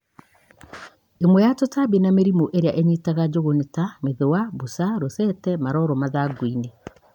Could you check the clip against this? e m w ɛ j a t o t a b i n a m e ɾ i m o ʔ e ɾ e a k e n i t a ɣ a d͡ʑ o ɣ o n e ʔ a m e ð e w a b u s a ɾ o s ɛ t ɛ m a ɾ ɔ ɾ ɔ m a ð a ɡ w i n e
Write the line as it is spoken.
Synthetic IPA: e m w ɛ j a t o t a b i n a m e ɾ i m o ʔ e ɾ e a ʔ e ɲ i t a ɣ a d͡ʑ o ɣ o n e t a m e ð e w a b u s a ɾ o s ɛ t ɛ m a ɾ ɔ ɾ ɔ m a ð a ɡ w i n e